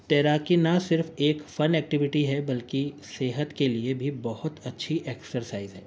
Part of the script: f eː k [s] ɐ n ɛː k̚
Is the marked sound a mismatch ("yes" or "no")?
yes